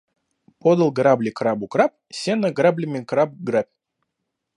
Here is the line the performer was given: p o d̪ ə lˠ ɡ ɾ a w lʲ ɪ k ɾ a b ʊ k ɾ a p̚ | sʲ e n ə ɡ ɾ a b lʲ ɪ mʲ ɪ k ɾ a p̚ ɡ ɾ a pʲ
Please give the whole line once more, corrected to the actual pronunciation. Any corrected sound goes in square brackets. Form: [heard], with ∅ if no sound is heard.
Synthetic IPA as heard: p o d̪ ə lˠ ɡ ɾ a [b] lʲ ɪ k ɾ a b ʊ k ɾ a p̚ | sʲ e n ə ɡ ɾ a b lʲ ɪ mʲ ɪ k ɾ a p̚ ɡ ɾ a pʲ